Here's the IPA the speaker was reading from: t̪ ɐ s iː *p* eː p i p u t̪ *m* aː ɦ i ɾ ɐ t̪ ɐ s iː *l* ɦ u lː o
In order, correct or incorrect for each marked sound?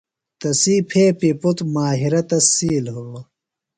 incorrect: pʰ, correct, correct

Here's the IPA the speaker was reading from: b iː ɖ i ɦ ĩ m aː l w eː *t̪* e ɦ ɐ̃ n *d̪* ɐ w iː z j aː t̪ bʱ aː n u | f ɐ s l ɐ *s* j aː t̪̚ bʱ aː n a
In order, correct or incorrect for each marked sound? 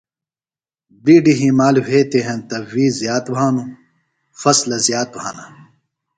correct, incorrect: t̪, incorrect: z

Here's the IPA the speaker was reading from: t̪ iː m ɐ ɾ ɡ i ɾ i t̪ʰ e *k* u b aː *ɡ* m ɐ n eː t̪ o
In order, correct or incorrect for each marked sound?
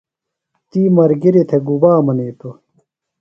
incorrect: ɡ, incorrect: none

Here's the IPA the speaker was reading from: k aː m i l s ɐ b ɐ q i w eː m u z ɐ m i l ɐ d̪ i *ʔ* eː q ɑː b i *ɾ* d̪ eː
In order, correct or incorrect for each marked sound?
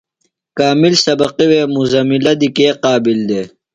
incorrect: k, incorrect: l

